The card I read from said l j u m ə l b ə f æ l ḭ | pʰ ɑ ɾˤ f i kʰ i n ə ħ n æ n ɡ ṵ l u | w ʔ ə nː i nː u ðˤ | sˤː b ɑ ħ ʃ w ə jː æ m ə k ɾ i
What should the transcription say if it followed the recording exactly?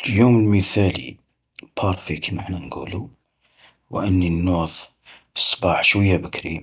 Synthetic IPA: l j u m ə l m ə θ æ l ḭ | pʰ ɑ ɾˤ f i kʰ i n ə ħ n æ n ɡ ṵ l u | w ʔ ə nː i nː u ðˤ | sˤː b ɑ ħ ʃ w ə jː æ b ə k ɾ i